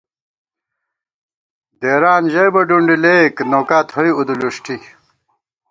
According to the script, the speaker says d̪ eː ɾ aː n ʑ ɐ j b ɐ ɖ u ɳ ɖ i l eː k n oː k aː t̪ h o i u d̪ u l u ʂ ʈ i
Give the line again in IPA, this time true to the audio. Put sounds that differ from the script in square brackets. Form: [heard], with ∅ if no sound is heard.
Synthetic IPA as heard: d̪ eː ɾ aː n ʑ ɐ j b ɐ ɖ u ɳ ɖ i l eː k n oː k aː t̪ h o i u d̪ u l u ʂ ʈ i